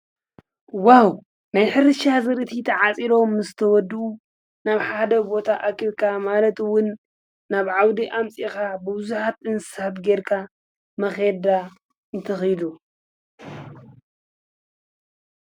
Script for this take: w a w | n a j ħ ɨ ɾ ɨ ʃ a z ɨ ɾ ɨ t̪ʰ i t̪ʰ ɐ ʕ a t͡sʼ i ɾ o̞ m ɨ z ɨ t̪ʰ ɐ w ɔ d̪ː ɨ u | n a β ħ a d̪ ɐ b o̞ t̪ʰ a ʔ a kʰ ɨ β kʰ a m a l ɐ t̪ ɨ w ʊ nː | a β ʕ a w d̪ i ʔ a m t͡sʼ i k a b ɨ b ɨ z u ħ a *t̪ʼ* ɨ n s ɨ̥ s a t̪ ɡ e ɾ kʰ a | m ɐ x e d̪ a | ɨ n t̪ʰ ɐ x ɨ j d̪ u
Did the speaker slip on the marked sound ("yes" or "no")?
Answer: yes